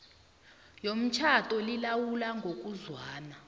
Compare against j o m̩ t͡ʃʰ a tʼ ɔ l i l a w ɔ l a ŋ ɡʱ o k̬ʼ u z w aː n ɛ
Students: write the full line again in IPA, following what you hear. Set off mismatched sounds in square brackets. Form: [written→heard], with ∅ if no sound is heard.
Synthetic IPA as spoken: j o m̩ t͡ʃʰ a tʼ ɔ l i l a w [ɔ→u] l a ŋ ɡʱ o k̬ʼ u z w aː n [ɛ→a]